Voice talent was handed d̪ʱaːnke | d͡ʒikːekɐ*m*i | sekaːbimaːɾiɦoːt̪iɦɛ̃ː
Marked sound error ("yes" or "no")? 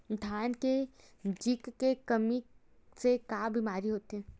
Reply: no